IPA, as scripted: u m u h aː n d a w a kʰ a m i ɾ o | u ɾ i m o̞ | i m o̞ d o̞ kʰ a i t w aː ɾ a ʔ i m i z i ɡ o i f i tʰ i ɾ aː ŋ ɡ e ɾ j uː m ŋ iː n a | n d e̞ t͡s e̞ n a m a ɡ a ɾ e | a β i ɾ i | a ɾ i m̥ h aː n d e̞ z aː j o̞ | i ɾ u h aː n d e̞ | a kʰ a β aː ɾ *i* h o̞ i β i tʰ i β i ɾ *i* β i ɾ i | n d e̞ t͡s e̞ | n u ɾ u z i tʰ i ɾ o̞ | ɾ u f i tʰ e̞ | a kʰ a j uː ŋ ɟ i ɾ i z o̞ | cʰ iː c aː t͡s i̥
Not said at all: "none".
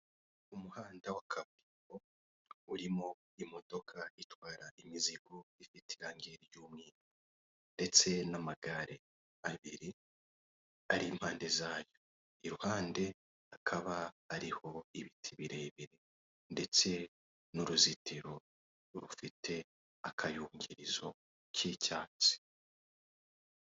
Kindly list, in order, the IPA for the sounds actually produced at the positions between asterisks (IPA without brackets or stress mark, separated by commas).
i, e